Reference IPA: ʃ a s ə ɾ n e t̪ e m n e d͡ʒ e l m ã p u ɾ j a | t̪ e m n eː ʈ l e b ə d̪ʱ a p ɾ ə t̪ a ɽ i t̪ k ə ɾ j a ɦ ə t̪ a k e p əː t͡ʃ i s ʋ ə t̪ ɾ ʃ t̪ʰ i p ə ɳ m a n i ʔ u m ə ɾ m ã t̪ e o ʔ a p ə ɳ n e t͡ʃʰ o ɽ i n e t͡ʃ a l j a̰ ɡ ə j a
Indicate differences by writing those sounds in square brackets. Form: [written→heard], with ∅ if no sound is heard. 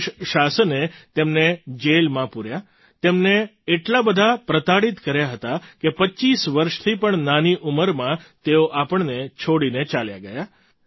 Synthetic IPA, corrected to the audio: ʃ a s ə [ɾ→∅] n e t̪ e m n e d͡ʒ e l m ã p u ɾ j a | t̪ e m n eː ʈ l [e→a] b ə d̪ʱ a p ɾ ə t̪ a ɽ i t̪ k ə ɾ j a ɦ ə t̪ a k e p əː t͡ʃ i s ʋ ə [t̪→∅] ɾ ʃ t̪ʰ i p ə ɳ [m→n] a n i ʔ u m ə ɾ m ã t̪ e o ʔ a p ə ɳ n e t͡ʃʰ o ɽ i n e t͡ʃ a l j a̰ ɡ ə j a